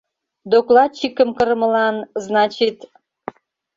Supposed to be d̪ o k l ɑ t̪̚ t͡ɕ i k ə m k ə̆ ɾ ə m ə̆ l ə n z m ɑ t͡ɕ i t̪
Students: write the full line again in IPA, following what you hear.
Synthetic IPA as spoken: d̪ o k l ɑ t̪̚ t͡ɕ i k ə m k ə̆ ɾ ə m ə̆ l ɑ n z n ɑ t͡ɕ i t̪